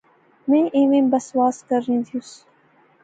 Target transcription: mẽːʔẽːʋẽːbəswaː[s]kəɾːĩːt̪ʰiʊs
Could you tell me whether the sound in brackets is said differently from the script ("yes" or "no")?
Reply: no